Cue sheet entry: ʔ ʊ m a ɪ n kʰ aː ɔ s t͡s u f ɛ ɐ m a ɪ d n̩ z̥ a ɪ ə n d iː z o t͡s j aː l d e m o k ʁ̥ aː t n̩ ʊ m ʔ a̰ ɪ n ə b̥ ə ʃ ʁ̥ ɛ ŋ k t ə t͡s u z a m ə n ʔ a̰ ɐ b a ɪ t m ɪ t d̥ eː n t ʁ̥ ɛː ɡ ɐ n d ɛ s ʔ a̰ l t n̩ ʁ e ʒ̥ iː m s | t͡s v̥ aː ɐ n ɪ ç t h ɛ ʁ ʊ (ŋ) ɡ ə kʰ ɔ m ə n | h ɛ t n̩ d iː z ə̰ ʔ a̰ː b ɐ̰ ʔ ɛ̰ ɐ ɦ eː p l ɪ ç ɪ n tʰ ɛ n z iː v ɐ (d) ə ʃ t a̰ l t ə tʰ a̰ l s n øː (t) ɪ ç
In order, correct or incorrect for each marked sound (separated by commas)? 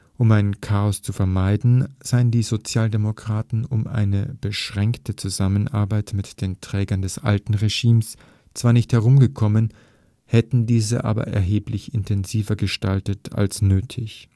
incorrect, incorrect, incorrect